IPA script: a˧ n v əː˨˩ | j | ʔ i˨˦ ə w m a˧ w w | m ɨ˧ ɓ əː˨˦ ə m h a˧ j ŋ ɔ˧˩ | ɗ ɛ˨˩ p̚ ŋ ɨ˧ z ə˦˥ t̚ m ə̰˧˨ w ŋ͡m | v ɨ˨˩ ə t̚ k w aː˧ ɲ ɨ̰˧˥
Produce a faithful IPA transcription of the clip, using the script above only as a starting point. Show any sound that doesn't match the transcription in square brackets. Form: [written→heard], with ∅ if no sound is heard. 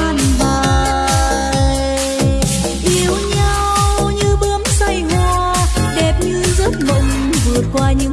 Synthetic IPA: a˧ n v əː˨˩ | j | ʔ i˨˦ ə w [m→ɲ] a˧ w w | [m→ɲ] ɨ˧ ɓ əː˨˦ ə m [h→s] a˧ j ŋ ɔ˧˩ | ɗ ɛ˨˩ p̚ [ŋ→ɲ] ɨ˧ z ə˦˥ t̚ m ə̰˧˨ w ŋ͡m | v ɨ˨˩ ə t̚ k w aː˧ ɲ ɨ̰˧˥